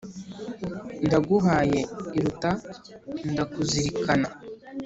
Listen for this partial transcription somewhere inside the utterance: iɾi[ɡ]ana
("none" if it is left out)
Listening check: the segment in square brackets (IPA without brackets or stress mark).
k